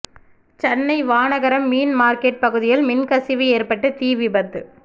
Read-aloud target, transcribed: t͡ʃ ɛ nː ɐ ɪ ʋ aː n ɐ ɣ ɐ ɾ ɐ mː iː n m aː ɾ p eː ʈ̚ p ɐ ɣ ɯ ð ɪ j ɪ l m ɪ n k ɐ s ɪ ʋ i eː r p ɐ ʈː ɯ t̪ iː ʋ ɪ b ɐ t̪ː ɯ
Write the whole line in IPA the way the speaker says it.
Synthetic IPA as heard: t͡ʃ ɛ nː ɐ ɪ ʋ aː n ɐ ɣ ɐ ɾ ɐ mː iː n m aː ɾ k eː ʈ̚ p ɐ ɣ ɯ ð ɪ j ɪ l m ɪ n k ɐ s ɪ ʋ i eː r p ɐ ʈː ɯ t̪ iː ʋ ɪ b ɐ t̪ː ɯ